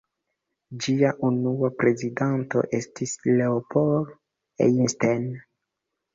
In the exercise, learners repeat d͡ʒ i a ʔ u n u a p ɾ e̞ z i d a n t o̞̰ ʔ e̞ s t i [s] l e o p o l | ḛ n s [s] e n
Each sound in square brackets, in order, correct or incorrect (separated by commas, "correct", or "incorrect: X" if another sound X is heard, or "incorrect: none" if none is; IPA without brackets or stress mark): correct, incorrect: t